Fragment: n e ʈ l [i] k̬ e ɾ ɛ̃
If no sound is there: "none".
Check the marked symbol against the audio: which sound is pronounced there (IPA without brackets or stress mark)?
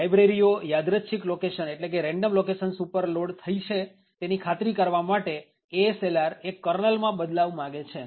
e